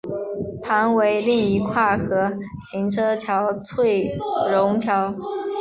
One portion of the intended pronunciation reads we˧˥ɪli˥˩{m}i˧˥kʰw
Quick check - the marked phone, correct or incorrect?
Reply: incorrect